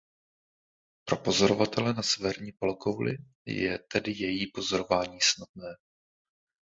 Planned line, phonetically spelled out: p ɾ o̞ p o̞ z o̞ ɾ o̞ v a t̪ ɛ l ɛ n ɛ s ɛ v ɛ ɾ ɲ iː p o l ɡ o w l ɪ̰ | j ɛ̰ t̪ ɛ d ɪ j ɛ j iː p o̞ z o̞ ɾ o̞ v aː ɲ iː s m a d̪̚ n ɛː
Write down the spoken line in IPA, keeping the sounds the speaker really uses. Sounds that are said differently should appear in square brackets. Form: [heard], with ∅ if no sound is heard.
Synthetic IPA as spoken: p ɾ o̞ p o̞ z o̞ ɾ o̞ v a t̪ ɛ l ɛ n [a] s ɛ v ɛ ɾ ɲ iː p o l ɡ o w l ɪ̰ | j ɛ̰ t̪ ɛ d ɪ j ɛ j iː p o̞ z o̞ ɾ o̞ v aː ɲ iː s [n] a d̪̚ n ɛː